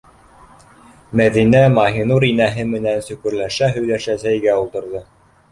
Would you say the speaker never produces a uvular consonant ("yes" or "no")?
yes